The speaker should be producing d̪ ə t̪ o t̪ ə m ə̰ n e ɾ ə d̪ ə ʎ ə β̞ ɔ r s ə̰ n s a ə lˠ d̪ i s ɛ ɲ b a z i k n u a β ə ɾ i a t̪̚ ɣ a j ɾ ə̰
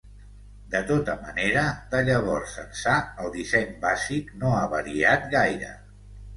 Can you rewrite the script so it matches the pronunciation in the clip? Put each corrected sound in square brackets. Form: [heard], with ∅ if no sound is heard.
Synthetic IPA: d̪ ə t̪ o t̪ ə m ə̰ n e ɾ ə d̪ ə ʎ ə β̞ ɔ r s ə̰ n s a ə lˠ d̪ i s ɛ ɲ b a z i k n [o] a β ə ɾ i a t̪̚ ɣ a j ɾ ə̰